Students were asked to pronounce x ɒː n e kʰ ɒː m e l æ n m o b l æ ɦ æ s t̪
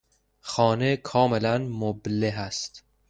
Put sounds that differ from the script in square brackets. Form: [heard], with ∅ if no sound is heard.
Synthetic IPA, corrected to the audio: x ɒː n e kʰ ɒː m e l æ n m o b l [e] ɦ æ s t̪